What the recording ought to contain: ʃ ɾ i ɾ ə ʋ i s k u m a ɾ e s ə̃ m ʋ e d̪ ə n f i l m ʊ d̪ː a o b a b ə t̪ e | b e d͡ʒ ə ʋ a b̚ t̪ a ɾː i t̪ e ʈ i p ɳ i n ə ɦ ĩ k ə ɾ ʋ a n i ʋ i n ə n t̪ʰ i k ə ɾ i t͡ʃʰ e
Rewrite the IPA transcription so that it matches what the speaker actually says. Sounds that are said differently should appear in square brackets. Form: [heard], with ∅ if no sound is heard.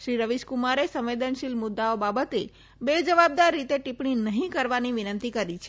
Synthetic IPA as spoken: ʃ ɾ i ɾ ə ʋ i [ʃ] k u m a ɾ e s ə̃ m ʋ e d̪ ə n [ʃ] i l m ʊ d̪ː a o b a b ə t̪ e | b e d͡ʒ ə ʋ a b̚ [d̪] a ɾː i t̪ e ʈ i p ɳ i n ə ɦ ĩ k ə ɾ ʋ a n i ʋ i n ə n [t̪] i k ə ɾ i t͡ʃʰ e